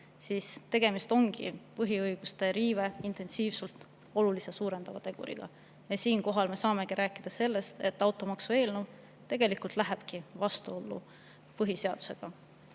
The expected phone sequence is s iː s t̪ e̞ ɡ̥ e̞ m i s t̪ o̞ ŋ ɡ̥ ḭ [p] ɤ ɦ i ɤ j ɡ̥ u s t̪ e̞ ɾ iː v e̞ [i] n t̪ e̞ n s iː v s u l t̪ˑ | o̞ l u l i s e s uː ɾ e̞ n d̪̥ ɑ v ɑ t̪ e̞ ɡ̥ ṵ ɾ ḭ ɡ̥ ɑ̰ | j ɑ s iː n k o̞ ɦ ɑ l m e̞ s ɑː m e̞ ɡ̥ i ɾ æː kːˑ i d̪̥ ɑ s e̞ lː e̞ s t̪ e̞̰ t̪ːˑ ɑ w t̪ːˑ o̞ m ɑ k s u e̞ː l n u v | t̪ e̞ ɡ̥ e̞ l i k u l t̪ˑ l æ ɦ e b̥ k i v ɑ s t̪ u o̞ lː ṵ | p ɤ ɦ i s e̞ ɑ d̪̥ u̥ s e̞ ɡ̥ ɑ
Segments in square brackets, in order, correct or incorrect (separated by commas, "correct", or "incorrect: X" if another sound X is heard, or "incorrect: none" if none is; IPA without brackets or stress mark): correct, correct